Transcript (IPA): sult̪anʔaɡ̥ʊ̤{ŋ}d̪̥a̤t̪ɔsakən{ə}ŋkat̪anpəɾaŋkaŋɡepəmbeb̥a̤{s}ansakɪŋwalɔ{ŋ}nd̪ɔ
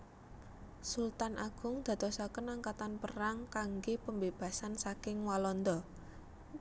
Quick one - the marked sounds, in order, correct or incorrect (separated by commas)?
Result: correct, incorrect, correct, incorrect